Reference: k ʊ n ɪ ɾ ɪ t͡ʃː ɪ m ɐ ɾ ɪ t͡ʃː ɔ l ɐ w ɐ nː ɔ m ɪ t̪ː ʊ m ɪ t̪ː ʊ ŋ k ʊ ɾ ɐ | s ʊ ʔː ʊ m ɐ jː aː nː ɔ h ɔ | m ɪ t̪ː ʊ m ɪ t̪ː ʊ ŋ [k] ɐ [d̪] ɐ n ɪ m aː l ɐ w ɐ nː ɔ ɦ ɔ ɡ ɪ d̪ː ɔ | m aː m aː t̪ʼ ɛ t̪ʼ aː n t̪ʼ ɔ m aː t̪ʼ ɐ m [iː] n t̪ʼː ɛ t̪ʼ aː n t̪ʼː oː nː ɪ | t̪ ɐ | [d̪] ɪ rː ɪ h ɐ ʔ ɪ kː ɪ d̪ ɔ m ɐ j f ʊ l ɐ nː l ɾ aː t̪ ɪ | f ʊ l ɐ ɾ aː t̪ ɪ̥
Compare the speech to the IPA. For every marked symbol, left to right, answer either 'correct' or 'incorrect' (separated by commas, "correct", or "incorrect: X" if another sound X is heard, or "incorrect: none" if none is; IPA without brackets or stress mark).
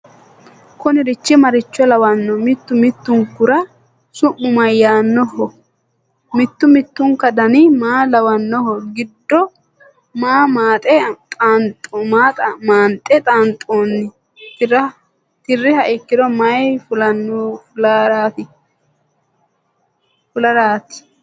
correct, correct, incorrect: aː, incorrect: t̪